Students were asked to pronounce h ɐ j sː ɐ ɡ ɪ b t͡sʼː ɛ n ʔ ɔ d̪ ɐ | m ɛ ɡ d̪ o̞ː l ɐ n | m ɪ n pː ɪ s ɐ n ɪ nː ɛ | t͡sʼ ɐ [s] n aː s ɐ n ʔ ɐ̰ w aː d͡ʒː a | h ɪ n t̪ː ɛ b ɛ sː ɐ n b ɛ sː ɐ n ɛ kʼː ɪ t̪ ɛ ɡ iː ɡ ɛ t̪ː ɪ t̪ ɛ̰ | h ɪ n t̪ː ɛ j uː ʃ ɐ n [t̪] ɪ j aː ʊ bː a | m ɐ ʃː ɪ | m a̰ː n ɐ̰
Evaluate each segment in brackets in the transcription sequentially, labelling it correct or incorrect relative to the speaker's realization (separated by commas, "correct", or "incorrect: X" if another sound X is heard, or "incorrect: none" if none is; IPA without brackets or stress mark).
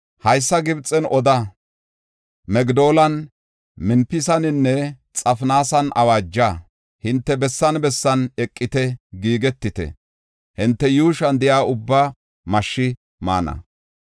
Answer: incorrect: f, incorrect: d̪